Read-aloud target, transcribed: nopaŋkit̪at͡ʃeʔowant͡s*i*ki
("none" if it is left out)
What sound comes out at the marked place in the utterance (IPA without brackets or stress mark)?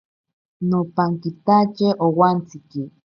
i